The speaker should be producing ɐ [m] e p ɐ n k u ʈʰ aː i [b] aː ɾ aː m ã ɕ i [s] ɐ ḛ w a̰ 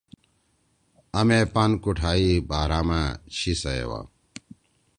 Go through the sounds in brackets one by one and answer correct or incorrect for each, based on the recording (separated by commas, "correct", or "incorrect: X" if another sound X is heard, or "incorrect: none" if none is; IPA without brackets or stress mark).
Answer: correct, correct, correct